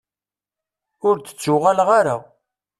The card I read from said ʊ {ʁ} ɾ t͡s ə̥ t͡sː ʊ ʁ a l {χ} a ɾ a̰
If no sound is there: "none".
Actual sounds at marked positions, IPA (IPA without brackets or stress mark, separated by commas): none, ʁ